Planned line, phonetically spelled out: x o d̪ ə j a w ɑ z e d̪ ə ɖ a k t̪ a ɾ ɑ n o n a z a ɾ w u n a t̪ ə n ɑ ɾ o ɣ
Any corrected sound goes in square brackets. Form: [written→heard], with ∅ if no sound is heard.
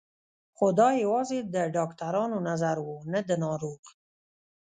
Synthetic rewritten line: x o d̪ [ə→ɑ] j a w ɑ z e d̪ ə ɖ [a→ɑ] k t̪ a ɾ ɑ n o n a z a ɾ w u n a [t̪→d̪] ə n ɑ ɾ o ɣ

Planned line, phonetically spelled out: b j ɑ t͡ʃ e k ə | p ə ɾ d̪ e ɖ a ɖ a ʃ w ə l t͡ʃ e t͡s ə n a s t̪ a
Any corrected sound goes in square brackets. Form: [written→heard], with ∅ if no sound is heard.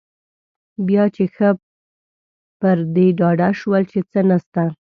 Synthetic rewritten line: b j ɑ t͡ʃ e [k→x] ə | p ə ɾ d̪ e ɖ [a→ɑ] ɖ a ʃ w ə l t͡ʃ e t͡s ə n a s t̪ a

